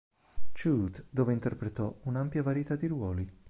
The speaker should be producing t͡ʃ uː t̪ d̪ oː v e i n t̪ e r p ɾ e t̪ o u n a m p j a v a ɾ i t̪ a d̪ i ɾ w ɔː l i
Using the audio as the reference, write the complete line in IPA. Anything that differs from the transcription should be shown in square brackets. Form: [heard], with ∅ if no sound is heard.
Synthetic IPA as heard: t͡ʃ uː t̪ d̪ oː v e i n t̪ e r p ɾ e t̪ [ɔ] u n a m p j a v a ɾ i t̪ a d̪ i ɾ w ɔː l i